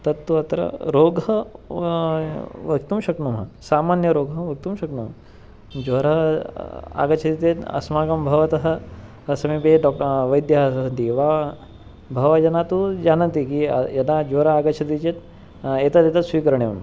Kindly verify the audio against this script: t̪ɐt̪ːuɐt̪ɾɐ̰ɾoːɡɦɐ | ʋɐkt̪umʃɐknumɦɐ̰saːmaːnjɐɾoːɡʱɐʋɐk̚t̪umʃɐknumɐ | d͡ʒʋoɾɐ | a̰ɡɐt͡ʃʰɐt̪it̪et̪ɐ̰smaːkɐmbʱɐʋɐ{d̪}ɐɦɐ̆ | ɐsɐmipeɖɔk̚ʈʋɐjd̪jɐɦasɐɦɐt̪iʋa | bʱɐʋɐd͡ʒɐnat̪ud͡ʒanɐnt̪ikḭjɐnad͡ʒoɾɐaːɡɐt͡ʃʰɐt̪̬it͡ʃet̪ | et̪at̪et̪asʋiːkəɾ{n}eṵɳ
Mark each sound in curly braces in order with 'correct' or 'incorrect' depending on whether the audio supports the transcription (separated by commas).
incorrect, incorrect